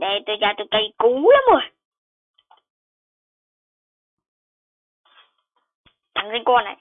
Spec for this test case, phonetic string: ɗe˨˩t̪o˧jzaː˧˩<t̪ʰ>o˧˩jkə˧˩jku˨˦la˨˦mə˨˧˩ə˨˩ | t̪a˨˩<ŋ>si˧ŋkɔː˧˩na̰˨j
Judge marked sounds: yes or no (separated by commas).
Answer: no, yes